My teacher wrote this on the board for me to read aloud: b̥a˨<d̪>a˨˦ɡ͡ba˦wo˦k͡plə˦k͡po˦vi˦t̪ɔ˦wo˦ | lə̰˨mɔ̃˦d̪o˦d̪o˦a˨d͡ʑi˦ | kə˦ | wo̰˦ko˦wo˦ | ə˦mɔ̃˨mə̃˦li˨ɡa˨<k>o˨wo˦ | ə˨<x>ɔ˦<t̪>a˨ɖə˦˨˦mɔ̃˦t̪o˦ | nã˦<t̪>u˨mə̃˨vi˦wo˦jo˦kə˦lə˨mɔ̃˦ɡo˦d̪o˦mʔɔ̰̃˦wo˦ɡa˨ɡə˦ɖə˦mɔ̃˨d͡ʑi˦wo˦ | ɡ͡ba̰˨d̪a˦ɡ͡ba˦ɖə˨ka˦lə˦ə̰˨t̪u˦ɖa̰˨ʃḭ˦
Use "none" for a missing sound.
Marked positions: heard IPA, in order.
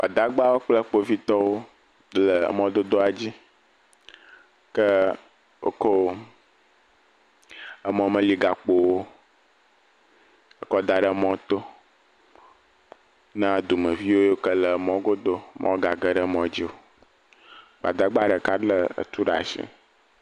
d̪, k͡p, k, d̪, d̪

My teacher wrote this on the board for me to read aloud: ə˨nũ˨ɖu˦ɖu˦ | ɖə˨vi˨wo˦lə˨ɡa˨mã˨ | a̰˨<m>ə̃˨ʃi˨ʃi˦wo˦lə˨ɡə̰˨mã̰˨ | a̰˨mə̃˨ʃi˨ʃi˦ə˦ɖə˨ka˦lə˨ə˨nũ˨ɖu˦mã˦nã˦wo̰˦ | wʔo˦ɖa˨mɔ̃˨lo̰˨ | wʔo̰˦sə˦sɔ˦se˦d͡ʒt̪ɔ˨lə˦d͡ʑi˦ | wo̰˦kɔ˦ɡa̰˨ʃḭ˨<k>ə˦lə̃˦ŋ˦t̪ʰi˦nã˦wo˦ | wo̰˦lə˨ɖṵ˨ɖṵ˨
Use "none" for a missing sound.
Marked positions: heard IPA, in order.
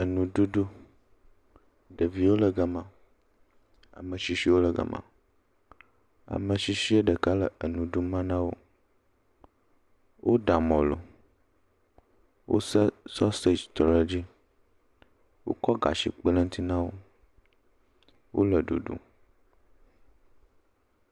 m, k͡p

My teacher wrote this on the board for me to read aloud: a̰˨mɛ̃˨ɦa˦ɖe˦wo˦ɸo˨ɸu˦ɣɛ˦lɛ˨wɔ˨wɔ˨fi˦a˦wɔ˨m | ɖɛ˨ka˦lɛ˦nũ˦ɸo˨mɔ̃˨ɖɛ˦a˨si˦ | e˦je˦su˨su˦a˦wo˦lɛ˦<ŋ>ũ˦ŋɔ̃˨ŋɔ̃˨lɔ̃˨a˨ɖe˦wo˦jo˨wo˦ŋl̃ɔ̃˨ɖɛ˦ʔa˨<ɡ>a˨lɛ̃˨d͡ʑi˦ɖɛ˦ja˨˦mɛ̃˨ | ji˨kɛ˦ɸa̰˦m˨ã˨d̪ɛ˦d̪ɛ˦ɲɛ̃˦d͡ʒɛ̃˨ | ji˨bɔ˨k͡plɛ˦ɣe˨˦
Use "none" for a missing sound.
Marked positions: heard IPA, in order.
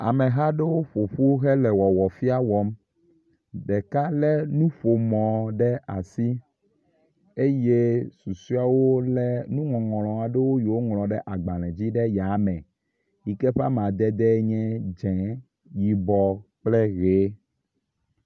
n, ɡ͡b

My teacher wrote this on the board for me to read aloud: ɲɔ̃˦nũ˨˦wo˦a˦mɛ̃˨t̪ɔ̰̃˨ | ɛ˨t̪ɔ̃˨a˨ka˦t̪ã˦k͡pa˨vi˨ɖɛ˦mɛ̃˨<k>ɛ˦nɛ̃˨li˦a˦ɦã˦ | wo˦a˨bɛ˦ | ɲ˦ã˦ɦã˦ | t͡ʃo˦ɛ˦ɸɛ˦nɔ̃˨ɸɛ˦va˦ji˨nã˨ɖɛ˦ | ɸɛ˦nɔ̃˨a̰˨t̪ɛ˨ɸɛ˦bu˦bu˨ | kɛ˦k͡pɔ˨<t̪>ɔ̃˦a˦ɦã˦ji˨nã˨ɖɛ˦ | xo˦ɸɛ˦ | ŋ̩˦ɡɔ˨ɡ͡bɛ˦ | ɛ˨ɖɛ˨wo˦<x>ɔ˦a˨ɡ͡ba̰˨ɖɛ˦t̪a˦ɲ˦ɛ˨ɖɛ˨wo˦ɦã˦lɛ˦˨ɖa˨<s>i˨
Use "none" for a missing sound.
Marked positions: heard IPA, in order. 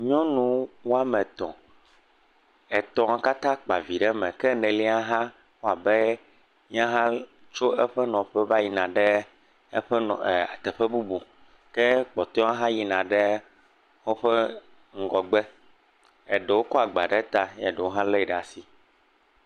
k, t̪, k, s

